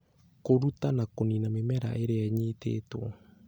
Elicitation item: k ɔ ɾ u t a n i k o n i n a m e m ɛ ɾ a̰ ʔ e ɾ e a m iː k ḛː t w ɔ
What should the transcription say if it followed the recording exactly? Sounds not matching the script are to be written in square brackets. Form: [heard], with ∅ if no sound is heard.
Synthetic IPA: k [o] ɾ u t a n [a] k o n i n a m e m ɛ ɾ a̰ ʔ e ɾ e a [ɲ] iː [t] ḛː t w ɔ